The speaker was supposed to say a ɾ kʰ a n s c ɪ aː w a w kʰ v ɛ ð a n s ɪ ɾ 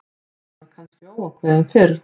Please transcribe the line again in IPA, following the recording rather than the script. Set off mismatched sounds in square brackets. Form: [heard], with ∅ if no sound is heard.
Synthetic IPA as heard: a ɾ kʰ a n s c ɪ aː w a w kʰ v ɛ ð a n [f] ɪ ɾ